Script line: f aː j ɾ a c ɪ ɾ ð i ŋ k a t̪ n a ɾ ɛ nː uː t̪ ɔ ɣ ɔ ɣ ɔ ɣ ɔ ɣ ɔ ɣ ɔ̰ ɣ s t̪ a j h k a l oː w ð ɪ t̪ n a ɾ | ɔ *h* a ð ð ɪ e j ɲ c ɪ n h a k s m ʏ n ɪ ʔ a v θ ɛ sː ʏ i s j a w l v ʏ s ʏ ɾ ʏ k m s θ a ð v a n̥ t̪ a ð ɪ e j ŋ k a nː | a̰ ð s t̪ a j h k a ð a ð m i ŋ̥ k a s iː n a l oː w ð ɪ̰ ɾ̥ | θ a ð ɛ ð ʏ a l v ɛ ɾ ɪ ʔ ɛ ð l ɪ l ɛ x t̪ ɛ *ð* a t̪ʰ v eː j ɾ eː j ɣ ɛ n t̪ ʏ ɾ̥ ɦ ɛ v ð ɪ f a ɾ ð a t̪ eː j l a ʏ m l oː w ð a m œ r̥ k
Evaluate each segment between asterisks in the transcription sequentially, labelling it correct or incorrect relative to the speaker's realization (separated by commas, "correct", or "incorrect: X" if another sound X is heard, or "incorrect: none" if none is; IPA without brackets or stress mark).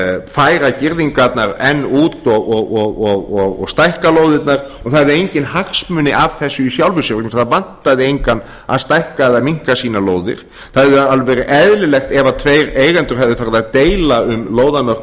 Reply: incorrect: θ, incorrect: v